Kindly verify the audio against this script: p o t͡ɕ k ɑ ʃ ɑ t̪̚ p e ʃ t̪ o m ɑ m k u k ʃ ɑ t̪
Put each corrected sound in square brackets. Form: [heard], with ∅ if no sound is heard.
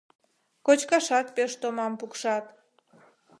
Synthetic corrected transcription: [k] o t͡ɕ k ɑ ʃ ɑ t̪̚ p e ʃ t̪ o m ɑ m [p] u k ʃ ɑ t̪